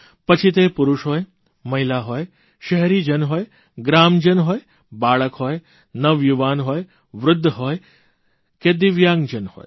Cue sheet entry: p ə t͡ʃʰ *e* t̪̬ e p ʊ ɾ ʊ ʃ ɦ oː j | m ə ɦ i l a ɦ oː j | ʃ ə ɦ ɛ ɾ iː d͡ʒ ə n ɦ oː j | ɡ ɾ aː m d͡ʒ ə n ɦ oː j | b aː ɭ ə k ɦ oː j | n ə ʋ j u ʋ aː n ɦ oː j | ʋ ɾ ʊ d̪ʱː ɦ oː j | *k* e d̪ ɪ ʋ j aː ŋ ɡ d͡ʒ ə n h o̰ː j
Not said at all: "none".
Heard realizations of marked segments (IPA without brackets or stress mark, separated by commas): i, k